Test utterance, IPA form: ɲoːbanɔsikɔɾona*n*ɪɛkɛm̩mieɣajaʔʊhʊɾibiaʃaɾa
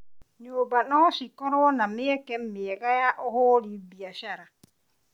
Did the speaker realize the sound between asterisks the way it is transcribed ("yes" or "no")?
no